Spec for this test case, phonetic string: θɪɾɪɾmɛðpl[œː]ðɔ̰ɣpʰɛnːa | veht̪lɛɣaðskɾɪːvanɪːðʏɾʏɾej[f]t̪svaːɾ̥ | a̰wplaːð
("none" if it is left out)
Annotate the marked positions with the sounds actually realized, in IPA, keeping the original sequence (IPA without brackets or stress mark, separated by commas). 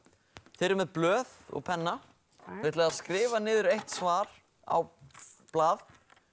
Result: œː, h